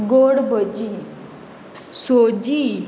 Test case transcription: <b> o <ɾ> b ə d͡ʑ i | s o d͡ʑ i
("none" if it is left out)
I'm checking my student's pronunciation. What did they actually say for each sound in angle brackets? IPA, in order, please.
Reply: ɡ, ɽ

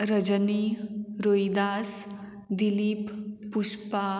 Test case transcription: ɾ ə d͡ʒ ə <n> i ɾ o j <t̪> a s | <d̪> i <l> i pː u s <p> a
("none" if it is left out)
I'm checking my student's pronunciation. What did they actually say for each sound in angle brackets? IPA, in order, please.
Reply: n, d̪, d̪, l, p

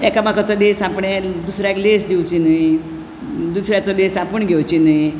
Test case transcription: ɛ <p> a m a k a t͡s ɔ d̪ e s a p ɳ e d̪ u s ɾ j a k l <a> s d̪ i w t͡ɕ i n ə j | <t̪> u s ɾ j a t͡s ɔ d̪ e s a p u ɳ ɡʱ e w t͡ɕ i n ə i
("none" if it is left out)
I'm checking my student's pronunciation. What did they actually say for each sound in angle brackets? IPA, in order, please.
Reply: k, e, d̪

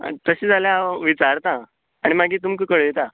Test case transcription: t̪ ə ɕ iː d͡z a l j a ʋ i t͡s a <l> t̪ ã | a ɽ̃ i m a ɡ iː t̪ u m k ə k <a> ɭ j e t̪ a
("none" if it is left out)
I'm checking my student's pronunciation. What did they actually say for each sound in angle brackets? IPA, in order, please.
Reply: ɾ, ə

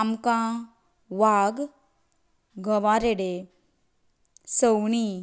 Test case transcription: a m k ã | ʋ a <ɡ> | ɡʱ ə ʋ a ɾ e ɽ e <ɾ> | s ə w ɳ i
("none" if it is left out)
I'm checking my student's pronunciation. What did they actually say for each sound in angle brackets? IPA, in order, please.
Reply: ɡ, none

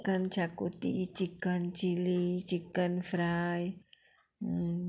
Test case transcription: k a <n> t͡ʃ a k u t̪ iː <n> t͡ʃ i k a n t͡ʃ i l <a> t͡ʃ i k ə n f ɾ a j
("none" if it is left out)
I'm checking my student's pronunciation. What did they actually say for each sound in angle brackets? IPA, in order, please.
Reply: n, none, i

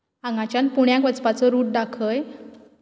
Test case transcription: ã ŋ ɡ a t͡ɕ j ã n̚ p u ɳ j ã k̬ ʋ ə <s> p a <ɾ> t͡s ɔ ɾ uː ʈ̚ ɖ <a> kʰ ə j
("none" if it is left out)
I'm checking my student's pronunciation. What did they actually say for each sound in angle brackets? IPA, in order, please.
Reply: t͡s, none, a

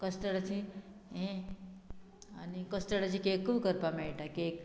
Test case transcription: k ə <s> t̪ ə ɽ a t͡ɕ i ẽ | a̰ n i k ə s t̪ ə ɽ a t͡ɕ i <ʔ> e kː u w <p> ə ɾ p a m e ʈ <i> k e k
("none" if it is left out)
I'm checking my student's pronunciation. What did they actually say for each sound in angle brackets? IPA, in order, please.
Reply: s, k, k, a

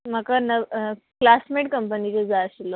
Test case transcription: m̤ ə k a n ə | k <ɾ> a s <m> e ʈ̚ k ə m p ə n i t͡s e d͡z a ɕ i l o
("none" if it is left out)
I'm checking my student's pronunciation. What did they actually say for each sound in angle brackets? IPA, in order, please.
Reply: l, m

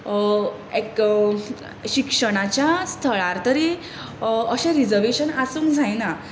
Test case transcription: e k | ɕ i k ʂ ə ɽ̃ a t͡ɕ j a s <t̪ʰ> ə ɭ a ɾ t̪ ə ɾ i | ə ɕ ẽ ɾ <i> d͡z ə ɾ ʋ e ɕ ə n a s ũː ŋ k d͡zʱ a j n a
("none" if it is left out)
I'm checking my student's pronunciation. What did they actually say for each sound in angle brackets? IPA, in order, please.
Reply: t̪ʰ, i

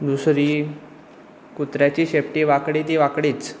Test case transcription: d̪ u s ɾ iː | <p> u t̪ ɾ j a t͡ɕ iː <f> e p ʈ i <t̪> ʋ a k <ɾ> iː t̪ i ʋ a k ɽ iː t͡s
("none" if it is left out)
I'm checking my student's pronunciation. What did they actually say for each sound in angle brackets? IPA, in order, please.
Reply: k, ɕ, none, ɽ

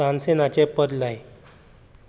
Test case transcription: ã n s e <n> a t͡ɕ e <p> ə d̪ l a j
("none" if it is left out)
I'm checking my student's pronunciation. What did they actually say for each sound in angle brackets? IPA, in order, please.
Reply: n, p

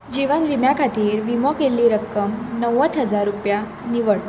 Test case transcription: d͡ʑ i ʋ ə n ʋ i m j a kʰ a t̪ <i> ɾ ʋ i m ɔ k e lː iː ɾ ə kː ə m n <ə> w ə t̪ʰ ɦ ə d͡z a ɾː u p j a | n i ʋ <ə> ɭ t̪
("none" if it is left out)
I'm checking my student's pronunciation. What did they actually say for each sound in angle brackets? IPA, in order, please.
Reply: iː, ə, ə

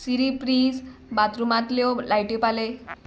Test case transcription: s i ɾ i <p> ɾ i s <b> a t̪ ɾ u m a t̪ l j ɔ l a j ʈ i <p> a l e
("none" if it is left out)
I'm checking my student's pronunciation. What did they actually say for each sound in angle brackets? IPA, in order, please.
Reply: p, b, p

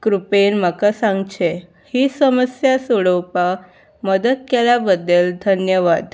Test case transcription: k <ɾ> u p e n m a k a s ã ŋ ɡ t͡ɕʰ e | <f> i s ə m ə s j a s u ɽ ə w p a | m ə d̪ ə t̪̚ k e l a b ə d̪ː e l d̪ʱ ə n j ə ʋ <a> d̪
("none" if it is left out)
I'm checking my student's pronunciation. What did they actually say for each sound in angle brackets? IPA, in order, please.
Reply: ɾ, h, a

